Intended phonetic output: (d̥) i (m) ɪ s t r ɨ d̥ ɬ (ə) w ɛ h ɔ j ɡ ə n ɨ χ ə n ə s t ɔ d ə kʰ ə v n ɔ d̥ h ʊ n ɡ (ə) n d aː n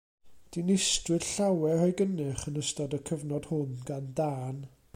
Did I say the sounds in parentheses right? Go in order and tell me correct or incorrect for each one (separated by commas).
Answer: correct, incorrect, incorrect, incorrect